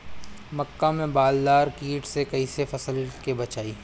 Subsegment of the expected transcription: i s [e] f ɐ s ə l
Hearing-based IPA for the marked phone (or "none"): e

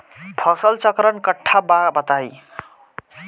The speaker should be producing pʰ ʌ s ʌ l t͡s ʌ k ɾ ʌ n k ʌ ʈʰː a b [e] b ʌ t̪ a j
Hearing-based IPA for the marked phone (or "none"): a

